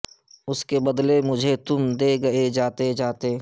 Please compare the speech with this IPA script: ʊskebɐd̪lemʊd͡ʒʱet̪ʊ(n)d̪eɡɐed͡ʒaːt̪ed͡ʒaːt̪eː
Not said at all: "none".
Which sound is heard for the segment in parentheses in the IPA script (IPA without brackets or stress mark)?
m